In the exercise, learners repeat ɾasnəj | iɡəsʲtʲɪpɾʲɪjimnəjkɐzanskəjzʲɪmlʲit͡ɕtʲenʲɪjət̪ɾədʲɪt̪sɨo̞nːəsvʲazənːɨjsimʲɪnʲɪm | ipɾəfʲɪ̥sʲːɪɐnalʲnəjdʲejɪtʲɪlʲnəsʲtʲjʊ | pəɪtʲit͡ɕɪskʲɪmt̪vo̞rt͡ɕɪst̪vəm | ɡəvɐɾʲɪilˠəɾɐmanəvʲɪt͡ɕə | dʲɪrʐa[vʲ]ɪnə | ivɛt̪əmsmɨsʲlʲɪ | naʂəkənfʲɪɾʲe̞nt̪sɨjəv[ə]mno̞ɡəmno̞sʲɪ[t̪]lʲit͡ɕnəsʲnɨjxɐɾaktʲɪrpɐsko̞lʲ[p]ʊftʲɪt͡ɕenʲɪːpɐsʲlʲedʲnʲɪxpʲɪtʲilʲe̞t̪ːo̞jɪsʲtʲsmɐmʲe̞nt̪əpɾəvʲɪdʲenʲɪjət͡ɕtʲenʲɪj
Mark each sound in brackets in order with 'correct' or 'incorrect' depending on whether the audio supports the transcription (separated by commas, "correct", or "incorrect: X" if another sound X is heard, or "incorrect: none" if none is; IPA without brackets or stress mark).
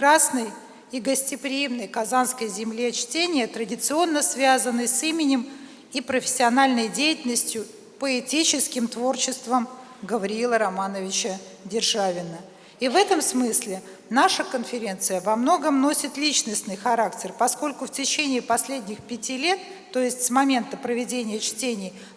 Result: correct, incorrect: ɐ, correct, incorrect: k